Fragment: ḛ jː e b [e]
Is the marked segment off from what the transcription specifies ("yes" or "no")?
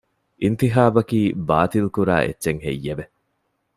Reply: no